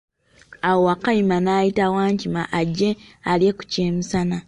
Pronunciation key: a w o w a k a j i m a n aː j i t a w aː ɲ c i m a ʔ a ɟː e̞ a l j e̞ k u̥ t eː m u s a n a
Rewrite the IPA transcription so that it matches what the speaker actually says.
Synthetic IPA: a w o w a k a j i m a n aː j i t a w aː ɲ c i m a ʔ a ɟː e̞ a l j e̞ k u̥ c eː m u s a n a